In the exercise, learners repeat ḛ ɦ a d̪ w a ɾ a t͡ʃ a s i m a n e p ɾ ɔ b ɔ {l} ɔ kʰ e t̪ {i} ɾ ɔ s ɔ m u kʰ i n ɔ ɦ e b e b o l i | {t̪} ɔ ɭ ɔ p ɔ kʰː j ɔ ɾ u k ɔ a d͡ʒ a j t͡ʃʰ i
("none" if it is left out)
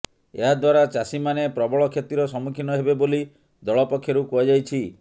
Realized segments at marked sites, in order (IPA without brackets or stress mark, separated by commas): ɭ, i, d̪